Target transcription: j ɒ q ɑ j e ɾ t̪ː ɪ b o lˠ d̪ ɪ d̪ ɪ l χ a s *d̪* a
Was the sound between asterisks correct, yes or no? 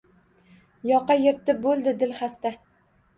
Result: no